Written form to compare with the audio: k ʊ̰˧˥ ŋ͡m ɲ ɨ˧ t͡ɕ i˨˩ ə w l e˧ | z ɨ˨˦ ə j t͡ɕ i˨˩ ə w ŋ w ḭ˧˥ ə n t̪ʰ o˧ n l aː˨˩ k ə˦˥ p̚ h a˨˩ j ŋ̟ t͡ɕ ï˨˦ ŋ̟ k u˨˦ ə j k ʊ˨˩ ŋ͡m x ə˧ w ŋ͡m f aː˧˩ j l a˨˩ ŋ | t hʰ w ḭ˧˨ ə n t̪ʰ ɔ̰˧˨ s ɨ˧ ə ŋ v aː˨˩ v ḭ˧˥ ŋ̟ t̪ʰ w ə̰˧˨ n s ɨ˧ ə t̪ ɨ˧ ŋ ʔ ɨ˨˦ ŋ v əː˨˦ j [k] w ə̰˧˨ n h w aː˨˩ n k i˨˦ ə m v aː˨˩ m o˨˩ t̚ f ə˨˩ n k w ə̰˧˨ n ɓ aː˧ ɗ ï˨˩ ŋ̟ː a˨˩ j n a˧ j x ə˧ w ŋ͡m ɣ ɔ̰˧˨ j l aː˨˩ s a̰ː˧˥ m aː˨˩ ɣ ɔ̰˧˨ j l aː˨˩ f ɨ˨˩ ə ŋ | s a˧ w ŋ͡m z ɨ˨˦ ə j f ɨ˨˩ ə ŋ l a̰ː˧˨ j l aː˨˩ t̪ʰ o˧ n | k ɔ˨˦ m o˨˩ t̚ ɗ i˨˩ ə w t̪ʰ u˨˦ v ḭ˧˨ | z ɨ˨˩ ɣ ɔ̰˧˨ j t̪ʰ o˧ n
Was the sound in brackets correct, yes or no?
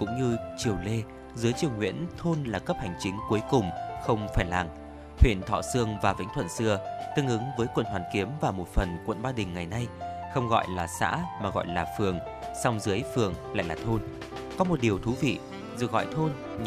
yes